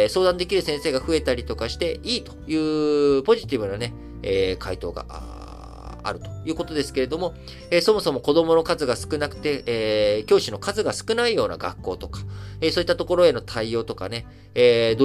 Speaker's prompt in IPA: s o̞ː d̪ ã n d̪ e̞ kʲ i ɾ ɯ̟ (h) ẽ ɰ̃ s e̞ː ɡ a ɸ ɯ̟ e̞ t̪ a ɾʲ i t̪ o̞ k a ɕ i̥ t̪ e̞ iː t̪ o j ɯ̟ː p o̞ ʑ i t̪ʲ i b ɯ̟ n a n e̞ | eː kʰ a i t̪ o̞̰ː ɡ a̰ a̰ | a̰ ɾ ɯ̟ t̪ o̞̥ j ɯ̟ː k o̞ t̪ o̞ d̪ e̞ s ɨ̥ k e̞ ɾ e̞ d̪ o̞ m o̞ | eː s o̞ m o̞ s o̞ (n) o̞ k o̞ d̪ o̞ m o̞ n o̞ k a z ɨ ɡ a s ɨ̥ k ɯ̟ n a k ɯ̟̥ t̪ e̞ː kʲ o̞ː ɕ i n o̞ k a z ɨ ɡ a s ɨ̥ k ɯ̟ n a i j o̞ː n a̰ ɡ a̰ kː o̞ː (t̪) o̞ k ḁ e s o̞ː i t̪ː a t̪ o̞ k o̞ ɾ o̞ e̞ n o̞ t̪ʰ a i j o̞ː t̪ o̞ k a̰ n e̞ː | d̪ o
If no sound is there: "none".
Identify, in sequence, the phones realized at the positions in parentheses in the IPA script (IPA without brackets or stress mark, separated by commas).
s, m, t̪